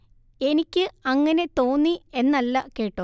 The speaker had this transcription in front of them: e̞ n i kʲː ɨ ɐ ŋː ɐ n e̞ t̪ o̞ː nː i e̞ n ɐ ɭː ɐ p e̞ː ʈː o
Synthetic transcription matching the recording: e̞ n i kʲː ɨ ɐ ŋː ɐ n e̞ t̪ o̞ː nː i e̞ nː ɐ lː ɐ k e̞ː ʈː o